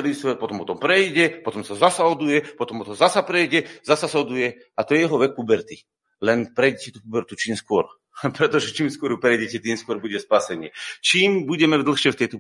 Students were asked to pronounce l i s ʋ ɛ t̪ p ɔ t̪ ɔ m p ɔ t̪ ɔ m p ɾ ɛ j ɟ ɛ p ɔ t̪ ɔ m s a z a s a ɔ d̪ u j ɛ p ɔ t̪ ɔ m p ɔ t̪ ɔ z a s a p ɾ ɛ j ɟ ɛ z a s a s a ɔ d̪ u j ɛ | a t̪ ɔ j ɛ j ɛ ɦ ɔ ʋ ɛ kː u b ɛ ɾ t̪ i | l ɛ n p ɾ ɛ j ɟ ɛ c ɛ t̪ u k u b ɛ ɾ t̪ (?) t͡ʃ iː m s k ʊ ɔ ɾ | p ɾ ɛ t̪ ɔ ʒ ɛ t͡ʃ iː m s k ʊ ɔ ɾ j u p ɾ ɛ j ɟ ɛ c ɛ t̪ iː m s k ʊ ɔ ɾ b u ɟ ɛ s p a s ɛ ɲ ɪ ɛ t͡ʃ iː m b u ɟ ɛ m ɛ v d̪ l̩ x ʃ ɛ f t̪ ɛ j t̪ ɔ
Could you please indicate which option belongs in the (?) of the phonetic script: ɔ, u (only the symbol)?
u